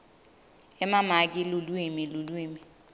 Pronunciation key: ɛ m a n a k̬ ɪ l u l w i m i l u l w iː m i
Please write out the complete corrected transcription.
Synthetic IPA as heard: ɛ m a m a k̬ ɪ l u l w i m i l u l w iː m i